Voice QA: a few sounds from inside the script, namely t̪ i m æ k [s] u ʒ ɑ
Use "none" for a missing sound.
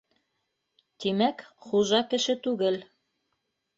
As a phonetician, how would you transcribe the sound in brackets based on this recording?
χ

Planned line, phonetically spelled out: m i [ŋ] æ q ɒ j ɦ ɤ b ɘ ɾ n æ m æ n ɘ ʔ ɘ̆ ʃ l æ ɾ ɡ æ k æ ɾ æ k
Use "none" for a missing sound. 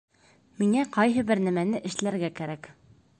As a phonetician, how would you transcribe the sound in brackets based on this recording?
ŋ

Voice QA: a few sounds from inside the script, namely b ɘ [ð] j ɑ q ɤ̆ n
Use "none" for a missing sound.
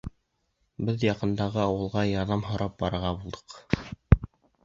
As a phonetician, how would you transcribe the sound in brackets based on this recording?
ð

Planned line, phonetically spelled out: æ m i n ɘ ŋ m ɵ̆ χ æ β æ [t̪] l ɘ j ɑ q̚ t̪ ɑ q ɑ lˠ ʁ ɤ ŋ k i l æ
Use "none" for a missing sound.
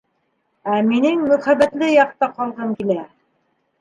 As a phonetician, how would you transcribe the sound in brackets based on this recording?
t̪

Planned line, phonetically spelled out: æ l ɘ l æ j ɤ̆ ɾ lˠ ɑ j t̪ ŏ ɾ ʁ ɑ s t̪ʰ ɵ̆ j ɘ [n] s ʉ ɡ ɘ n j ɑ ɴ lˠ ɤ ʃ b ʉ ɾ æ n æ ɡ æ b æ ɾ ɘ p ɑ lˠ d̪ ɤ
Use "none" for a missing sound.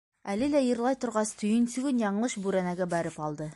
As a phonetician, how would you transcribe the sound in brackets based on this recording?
n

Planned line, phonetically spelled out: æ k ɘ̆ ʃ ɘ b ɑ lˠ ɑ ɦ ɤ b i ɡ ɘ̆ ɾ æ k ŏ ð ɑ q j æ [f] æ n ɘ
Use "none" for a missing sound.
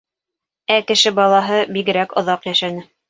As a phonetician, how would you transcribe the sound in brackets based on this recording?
ʃ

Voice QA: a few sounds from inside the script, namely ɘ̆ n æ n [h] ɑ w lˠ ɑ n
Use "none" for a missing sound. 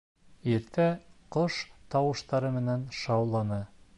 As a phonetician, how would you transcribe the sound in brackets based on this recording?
ʃ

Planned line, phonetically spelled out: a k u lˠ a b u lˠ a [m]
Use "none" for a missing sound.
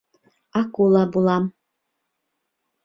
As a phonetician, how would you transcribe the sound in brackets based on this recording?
m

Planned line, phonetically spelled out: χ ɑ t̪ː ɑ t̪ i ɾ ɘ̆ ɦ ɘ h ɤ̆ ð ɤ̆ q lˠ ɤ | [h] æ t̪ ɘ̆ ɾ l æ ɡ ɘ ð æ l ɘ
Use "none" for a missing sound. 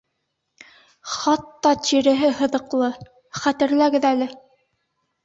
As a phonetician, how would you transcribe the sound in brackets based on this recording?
χ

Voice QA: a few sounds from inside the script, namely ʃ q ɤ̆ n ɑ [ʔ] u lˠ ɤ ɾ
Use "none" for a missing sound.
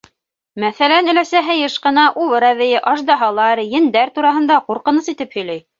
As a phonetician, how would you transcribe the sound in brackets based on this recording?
ʔ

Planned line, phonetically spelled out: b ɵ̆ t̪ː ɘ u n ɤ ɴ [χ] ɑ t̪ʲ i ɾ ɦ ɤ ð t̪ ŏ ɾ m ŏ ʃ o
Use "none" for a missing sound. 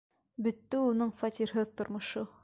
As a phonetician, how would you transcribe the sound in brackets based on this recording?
f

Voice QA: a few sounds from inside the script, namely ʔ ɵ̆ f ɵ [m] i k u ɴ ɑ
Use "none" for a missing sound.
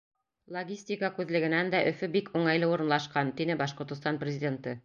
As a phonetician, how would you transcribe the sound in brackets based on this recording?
b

